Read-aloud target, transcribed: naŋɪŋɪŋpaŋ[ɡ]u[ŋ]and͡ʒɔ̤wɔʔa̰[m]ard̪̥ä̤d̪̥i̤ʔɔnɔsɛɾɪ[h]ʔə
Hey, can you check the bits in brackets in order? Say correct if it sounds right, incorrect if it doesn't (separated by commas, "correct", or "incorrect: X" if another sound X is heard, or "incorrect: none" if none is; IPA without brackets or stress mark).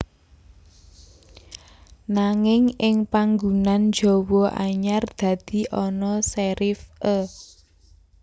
correct, incorrect: n, incorrect: ɲ, incorrect: f